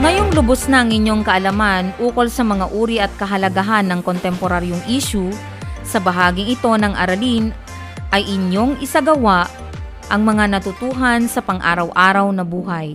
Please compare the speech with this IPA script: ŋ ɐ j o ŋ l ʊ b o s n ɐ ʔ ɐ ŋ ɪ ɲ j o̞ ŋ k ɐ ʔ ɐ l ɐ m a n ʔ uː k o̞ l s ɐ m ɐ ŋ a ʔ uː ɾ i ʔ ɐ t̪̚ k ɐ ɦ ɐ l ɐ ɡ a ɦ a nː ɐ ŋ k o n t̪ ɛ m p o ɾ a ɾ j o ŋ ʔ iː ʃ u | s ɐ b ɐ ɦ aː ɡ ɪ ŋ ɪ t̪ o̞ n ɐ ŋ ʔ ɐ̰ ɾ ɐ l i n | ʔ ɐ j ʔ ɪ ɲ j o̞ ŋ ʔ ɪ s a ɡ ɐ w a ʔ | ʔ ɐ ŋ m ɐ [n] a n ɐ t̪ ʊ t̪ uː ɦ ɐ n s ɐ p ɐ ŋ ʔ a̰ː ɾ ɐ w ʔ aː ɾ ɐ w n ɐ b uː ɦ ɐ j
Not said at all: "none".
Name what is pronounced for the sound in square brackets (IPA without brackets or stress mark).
ŋ